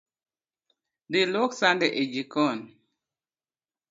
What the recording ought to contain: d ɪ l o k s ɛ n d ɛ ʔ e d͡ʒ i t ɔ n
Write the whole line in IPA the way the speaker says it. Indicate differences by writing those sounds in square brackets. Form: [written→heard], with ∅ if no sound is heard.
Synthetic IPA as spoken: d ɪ l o k s [ɛ→a] n d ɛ ʔ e d͡ʒ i [t→k] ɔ n

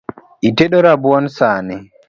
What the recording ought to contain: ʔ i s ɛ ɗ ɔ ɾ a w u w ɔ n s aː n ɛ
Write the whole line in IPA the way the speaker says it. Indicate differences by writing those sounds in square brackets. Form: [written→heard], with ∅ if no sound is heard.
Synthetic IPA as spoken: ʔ i [s→t] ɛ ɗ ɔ ɾ a [w→b] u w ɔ n s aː n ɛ

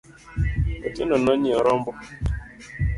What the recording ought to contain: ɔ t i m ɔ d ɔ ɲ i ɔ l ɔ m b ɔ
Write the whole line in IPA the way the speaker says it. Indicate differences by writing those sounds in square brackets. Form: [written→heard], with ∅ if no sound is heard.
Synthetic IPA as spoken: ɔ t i [m→n] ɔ [d→n] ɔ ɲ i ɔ [l→ɾ] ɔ m b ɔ

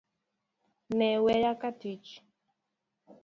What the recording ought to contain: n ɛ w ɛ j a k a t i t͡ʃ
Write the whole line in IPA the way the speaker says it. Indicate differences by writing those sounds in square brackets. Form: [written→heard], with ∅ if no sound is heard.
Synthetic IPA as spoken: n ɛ w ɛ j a k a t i t͡ʃ

